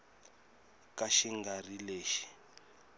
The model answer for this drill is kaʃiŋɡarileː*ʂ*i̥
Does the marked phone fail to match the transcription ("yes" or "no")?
yes